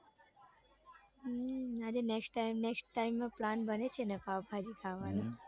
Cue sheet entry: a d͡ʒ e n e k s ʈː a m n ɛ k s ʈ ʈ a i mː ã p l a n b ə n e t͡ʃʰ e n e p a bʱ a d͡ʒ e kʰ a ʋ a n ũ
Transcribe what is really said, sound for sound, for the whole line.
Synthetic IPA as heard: a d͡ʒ e n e k s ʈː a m n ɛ k s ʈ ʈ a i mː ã p l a n b ə n e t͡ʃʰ e n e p a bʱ a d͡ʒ i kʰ a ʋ a n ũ